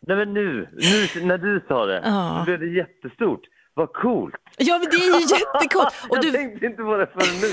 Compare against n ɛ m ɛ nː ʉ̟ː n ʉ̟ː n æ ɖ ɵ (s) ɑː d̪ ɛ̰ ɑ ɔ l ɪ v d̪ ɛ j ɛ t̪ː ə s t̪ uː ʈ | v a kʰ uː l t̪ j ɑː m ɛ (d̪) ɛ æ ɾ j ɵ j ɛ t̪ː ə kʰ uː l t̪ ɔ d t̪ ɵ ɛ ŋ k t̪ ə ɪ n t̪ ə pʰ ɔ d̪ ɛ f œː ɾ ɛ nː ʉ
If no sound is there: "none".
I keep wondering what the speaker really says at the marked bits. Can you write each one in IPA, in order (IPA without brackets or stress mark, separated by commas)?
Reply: s, d̪